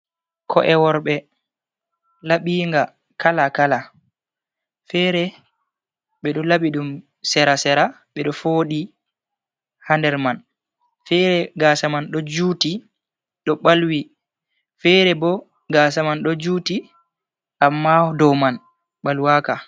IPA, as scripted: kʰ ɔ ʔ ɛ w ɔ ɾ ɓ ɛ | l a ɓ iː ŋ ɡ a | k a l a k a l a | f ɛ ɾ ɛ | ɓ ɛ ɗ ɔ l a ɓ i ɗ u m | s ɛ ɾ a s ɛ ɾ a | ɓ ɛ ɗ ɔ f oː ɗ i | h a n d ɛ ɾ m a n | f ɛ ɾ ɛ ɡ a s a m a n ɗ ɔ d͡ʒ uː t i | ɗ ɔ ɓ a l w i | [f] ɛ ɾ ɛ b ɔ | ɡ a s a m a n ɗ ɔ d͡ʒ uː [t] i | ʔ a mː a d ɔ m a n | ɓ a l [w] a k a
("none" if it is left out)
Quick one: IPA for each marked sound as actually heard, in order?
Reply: f, t, w

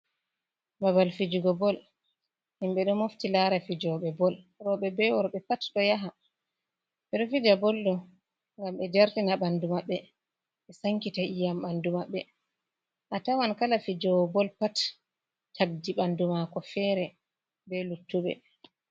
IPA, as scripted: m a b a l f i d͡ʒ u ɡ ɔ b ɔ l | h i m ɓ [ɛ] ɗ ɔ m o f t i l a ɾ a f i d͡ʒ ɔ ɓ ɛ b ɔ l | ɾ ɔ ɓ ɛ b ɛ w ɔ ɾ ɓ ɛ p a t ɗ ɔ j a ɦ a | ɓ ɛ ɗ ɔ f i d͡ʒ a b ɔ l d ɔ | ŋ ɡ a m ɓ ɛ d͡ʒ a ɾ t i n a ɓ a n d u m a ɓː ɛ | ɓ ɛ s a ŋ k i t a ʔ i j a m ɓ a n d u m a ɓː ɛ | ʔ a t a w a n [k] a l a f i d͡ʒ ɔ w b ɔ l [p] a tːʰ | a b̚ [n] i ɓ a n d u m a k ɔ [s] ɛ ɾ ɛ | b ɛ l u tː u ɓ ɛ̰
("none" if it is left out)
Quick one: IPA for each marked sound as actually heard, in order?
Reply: ɛ, k, p, d, f

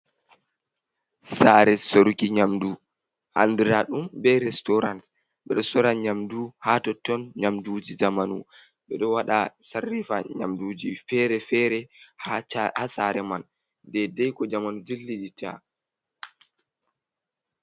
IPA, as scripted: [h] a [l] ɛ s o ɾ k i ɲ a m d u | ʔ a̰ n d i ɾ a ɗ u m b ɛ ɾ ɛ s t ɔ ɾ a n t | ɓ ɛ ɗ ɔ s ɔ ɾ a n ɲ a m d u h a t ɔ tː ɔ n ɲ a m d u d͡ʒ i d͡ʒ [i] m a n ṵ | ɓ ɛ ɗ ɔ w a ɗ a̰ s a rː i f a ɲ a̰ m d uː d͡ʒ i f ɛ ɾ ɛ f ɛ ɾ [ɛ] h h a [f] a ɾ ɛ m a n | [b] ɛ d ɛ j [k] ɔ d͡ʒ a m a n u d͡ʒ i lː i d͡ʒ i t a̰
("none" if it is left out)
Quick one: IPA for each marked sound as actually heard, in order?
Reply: s, ɾ, a, ɛ, s, d, k

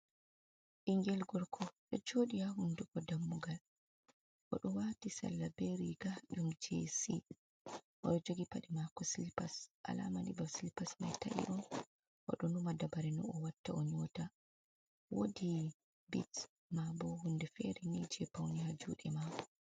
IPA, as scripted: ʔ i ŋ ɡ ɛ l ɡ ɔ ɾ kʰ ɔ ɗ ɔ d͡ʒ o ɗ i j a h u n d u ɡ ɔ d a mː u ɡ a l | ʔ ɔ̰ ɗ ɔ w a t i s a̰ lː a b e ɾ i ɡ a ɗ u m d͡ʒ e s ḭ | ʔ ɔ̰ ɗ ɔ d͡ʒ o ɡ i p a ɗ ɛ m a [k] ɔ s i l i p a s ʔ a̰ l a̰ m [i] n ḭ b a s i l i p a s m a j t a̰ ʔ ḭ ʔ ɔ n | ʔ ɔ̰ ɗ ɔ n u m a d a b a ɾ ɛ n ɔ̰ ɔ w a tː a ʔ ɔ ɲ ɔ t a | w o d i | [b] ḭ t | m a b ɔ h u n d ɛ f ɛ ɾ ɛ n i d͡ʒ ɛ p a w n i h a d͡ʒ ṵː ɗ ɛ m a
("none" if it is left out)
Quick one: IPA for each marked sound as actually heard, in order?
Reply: k, a, b

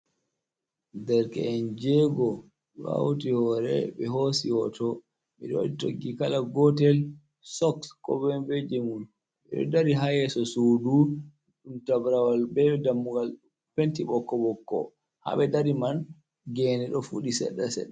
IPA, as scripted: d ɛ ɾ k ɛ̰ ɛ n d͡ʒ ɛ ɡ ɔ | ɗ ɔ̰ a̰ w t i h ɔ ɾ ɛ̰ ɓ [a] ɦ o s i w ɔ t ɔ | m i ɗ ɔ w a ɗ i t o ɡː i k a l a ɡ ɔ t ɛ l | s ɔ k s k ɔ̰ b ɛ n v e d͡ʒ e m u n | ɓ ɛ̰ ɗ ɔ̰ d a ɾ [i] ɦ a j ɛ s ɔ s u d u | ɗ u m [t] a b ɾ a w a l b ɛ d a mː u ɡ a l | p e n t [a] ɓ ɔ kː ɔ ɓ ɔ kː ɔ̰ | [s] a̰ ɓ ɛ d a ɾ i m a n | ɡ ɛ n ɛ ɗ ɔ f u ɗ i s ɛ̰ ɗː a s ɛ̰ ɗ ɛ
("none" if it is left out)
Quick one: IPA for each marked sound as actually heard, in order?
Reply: ɛ, i, t, i, h

